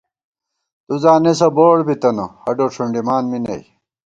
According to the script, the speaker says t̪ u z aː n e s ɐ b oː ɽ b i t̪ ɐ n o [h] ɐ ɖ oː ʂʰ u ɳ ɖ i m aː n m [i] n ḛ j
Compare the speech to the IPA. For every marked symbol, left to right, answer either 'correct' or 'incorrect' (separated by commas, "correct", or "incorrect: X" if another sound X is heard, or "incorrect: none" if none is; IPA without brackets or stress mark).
correct, correct